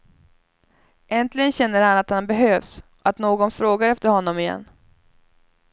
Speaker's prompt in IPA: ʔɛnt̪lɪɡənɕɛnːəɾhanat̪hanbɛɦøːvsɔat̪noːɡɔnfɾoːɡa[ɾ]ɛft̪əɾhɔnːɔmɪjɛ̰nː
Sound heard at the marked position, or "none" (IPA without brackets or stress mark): ɾ